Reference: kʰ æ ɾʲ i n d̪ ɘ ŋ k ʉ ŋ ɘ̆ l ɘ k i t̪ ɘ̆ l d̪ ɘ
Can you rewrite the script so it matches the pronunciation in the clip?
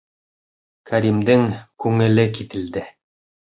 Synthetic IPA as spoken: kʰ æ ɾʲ i m d̪ ɘ ŋ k ʉ ŋ ɘ̆ l ɘ k i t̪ ɘ̆ l d̪ ɘ